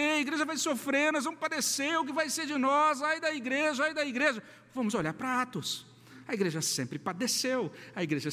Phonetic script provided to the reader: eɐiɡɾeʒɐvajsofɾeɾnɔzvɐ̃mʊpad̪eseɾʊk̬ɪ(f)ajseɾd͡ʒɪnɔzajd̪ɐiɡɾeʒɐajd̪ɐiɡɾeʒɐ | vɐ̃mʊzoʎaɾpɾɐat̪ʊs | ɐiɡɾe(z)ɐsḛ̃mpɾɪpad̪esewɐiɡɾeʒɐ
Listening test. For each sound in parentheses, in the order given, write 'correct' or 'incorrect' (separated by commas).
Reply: incorrect, incorrect